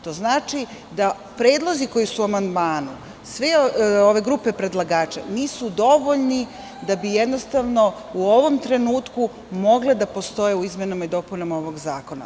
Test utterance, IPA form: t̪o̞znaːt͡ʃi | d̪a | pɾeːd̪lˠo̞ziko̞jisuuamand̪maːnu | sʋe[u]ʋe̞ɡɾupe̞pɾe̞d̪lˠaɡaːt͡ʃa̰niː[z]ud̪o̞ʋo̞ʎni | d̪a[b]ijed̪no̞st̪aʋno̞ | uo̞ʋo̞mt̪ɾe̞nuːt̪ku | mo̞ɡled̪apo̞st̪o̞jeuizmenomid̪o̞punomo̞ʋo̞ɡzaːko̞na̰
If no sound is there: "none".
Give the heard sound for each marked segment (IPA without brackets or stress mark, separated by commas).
o, s, b